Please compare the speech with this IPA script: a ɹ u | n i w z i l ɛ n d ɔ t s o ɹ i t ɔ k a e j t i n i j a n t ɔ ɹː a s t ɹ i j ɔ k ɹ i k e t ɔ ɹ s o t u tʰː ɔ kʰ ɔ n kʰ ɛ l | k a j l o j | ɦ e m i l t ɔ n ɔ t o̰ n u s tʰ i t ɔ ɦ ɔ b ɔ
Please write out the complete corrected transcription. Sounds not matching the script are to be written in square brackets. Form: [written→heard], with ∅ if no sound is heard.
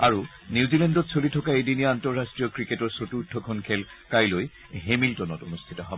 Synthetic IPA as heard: a ɹ u | n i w z i l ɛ n d ɔ t s o [ɹ→l] i [t→tʰ] ɔ k a e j [t→d] i n i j a n t ɔ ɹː a s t ɹ i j ɔ k ɹ i k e t ɔ ɹ s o t u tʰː ɔ kʰ ɔ n kʰ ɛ l | k a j l o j | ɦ e m i l t ɔ n ɔ t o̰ n u s tʰ i t ɔ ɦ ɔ b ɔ